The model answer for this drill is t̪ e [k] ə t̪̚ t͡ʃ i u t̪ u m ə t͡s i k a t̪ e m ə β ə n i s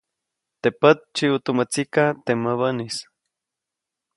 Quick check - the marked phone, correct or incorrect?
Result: incorrect